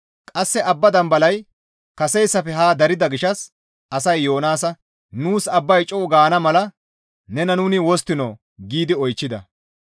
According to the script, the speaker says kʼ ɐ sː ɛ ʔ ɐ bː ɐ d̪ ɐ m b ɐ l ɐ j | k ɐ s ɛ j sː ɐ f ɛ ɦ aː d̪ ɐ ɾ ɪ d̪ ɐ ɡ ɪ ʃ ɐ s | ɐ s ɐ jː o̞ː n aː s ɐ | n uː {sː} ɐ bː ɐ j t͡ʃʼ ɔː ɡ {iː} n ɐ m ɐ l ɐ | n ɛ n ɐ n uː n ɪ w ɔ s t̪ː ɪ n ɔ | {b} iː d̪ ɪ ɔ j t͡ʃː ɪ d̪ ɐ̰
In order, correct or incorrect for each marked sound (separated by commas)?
incorrect, incorrect, incorrect